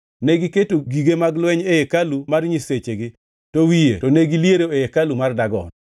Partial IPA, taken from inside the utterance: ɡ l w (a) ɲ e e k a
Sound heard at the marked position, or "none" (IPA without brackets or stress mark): ɛ